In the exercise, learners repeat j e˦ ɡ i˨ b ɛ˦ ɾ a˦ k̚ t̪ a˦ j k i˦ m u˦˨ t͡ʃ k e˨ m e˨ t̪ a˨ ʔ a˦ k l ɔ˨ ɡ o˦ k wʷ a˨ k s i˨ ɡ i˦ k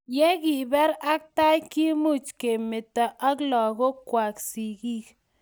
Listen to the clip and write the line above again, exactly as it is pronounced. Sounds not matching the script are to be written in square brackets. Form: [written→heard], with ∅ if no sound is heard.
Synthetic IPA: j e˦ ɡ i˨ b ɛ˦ ɾ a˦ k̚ t̪ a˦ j k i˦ m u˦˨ t͡ʃ k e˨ m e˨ t̪ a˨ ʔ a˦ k l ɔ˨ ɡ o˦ k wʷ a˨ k s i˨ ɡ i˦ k